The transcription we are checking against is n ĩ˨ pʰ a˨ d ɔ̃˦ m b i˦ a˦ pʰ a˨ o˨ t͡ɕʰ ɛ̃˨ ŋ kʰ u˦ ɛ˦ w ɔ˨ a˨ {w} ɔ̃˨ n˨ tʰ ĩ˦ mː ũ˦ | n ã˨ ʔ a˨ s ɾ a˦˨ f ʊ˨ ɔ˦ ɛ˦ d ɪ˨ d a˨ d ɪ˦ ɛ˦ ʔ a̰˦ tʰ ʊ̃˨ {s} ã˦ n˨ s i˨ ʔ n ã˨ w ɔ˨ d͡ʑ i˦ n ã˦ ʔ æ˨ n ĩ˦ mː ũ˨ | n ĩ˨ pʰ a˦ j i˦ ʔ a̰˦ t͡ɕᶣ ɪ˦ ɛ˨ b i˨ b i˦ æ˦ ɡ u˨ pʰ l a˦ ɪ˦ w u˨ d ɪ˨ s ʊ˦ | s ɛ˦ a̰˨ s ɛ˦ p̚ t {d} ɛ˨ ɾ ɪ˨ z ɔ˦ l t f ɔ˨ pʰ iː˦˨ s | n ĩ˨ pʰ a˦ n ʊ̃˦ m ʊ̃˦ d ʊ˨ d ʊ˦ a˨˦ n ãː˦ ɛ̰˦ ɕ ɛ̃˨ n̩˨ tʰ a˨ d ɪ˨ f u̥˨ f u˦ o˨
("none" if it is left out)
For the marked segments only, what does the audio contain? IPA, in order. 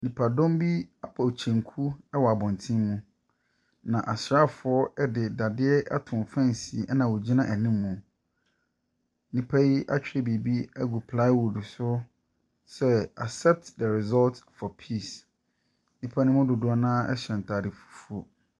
b, f, d

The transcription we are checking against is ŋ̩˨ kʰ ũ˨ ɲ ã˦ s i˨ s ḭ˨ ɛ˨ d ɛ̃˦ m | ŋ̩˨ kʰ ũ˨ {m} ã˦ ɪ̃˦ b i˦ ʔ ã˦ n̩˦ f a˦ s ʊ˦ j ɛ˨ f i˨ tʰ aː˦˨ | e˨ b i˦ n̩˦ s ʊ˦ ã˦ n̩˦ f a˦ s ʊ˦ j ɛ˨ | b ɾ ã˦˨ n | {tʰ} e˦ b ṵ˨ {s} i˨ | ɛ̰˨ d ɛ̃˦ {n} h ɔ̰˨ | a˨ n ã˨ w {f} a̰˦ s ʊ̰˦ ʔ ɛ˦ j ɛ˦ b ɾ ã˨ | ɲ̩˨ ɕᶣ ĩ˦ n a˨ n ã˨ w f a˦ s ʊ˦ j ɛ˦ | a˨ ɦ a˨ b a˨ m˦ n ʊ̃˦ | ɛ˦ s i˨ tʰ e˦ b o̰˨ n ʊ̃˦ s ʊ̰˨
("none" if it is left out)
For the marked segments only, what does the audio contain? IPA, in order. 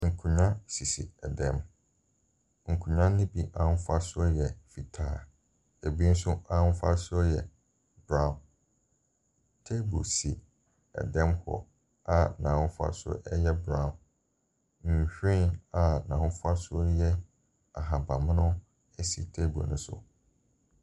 ɲ, tʰ, s, m, f

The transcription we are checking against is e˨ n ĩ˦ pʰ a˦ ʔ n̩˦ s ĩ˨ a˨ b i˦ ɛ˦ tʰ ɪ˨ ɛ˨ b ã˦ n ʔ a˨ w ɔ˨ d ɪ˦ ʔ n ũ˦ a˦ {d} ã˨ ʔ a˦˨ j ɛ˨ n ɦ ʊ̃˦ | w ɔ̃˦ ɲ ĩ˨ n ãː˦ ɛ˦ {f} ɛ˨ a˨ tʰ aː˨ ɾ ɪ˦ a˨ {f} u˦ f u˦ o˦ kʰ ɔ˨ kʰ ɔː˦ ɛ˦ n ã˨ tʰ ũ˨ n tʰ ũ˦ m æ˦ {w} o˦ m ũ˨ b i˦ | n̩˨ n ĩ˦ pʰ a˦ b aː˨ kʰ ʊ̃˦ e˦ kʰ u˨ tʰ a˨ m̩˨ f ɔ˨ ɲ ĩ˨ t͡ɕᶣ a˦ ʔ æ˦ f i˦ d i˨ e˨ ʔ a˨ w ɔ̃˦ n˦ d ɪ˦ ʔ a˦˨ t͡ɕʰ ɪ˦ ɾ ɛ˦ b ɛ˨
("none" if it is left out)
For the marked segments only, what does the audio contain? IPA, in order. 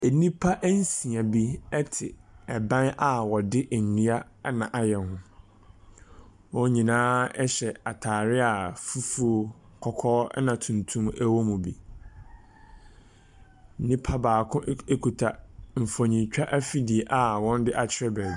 n, ɕ, f, w

